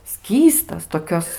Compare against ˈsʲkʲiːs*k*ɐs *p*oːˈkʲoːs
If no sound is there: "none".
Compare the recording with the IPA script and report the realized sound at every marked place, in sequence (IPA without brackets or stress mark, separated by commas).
t, t